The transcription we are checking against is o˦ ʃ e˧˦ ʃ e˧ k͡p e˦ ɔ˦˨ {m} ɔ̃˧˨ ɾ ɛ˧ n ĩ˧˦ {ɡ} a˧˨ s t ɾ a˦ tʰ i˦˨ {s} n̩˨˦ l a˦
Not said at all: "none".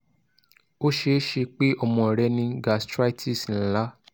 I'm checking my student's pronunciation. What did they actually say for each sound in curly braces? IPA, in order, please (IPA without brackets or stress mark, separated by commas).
m, ɡ, s